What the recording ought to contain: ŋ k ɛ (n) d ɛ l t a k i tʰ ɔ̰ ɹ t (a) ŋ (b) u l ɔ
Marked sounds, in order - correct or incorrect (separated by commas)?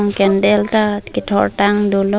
correct, correct, incorrect